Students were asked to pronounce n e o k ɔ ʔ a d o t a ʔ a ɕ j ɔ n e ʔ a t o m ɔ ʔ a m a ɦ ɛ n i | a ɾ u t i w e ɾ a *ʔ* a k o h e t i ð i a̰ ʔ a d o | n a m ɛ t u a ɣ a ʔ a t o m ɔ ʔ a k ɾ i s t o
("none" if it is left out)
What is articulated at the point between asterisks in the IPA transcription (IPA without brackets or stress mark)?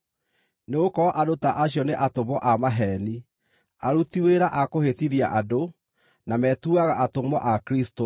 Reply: ʔ